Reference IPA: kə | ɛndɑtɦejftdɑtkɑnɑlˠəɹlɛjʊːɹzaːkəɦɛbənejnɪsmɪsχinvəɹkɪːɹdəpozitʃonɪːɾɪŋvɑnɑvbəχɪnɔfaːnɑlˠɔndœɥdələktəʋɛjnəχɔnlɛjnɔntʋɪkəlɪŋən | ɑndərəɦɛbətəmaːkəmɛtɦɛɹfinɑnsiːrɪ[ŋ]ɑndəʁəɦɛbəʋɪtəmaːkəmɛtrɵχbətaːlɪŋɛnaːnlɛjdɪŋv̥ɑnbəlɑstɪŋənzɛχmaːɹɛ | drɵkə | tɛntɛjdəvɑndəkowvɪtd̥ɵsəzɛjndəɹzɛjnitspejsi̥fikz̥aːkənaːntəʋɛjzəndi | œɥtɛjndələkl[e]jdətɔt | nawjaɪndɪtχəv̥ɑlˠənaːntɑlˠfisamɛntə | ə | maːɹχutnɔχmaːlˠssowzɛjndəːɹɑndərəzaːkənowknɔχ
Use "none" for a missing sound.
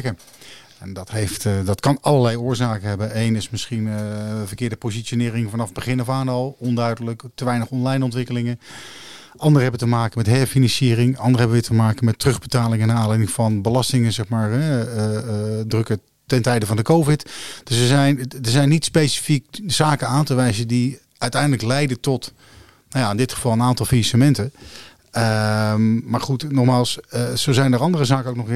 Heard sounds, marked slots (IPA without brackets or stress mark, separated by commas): ŋ, ɛ